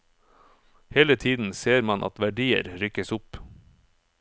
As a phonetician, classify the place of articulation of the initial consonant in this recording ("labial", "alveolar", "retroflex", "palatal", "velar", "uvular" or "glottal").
glottal